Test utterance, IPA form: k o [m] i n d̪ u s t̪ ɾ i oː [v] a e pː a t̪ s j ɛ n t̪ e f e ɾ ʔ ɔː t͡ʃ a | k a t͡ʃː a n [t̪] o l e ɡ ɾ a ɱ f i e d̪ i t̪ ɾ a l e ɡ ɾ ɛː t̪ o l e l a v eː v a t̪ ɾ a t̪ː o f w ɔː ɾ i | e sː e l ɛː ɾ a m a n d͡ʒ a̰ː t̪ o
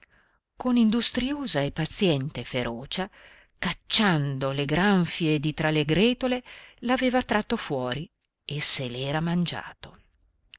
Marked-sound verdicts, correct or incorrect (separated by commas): incorrect, incorrect, incorrect